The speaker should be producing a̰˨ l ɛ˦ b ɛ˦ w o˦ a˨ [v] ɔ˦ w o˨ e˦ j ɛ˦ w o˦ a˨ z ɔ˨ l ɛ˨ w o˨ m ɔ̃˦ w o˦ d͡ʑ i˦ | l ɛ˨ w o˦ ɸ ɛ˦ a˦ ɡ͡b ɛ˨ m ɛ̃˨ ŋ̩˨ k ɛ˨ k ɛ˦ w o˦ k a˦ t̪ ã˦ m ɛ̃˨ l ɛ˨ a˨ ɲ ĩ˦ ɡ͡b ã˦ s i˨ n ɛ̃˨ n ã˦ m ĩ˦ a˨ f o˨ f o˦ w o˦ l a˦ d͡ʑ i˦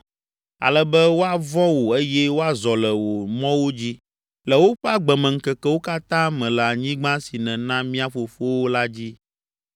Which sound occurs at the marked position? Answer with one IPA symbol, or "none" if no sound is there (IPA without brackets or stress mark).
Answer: v